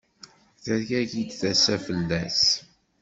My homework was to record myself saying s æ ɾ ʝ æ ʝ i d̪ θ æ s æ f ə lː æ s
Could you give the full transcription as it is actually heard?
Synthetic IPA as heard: θ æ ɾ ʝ æ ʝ i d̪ θ æ s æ f ə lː æ s